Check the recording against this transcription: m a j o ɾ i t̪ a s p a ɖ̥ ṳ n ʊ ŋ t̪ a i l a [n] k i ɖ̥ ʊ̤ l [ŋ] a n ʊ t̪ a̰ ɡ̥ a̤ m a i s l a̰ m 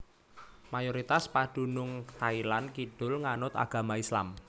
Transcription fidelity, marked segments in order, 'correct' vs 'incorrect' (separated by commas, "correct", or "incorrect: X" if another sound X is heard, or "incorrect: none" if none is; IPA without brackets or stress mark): correct, correct